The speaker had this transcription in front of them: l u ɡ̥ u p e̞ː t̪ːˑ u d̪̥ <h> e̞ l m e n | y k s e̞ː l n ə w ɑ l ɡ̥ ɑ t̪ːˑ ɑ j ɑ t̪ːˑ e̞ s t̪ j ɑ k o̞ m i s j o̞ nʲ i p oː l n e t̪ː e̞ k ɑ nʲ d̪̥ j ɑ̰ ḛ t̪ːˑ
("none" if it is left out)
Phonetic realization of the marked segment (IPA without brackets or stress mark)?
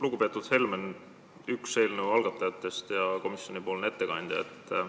h